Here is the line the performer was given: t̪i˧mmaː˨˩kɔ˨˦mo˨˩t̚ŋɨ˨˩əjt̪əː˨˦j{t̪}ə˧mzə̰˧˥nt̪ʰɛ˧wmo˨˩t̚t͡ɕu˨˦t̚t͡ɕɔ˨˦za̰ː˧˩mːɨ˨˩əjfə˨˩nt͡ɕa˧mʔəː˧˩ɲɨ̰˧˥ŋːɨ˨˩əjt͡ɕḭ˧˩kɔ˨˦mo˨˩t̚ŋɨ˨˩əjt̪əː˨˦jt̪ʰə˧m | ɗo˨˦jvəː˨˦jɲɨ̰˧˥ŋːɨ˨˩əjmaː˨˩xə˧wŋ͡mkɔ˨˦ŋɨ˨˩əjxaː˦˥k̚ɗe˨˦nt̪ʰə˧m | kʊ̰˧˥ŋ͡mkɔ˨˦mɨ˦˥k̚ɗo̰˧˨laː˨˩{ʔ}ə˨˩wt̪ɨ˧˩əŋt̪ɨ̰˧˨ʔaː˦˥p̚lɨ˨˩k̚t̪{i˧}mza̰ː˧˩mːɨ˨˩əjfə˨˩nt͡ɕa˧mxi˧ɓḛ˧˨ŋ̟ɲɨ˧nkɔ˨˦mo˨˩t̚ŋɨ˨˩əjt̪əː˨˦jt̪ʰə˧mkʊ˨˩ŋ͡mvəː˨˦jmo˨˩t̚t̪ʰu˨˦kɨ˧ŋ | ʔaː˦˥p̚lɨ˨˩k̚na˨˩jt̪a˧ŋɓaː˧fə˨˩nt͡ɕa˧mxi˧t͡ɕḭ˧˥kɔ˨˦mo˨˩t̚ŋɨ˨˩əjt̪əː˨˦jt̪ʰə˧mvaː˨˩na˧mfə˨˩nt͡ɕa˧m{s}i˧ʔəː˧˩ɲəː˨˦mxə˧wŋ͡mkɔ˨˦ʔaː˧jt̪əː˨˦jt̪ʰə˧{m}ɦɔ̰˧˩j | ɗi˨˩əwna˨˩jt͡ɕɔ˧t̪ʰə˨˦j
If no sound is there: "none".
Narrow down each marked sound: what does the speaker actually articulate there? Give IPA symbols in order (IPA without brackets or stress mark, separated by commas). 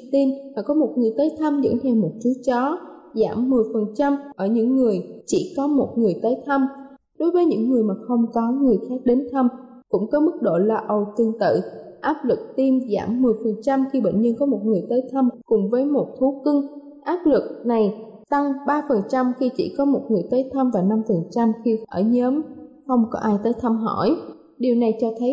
t̪ʰ, ʔ, i˧, x, m